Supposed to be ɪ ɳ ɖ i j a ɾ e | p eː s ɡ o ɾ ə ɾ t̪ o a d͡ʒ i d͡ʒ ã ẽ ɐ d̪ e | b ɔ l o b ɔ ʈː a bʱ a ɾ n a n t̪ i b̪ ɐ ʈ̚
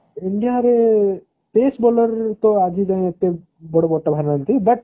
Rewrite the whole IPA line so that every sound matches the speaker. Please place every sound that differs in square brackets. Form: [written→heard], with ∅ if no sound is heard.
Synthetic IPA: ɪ ɳ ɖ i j a ɾ e | p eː s [ɡ→b] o [ɾ→l] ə ɾ t̪ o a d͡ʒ i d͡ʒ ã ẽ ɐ [d̪→t̪] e | b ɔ [l→ɽ] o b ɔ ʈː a bʱ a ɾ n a n t̪ i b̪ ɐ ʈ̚